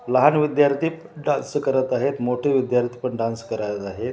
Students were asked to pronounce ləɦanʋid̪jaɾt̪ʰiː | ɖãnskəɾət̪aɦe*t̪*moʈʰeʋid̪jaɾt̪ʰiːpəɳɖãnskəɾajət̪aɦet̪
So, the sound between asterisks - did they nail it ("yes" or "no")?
yes